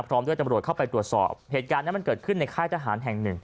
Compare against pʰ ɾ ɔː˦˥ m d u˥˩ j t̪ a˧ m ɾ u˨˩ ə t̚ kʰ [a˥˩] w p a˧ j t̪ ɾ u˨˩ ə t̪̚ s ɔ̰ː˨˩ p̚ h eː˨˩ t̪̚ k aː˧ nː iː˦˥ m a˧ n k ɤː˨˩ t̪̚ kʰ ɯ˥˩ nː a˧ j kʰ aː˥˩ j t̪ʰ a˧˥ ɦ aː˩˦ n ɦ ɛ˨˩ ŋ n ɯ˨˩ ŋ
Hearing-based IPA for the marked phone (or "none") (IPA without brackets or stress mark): a˥˩